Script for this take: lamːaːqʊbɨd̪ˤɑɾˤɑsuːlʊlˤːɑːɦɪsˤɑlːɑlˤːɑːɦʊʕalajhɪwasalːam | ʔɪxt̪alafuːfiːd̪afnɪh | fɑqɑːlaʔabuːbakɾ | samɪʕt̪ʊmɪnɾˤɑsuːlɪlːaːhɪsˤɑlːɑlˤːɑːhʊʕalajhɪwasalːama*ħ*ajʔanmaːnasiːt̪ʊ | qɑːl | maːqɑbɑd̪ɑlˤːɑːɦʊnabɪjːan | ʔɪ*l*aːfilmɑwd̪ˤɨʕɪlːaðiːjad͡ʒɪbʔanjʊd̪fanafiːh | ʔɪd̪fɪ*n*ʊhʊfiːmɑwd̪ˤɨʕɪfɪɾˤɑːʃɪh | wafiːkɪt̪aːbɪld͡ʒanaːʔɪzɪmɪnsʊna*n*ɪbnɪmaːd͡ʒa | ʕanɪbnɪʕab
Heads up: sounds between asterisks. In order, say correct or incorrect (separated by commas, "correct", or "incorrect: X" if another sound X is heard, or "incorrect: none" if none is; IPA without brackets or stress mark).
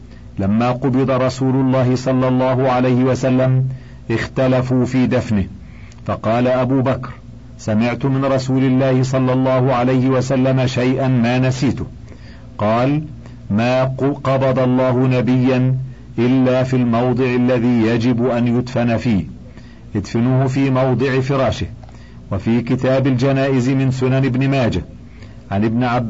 incorrect: ʃ, incorrect: lː, correct, correct